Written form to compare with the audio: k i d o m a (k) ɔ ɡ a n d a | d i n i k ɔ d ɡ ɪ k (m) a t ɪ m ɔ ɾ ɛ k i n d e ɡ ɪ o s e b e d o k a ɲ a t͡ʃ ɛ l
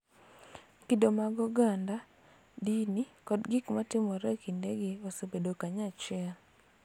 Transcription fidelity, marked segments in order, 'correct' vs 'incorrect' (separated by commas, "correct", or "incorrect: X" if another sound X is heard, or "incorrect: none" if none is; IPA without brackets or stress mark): incorrect: ɡ, correct